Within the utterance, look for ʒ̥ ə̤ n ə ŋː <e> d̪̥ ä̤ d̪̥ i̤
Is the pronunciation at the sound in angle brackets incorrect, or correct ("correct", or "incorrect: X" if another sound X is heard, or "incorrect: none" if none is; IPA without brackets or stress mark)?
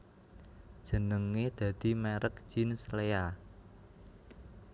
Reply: correct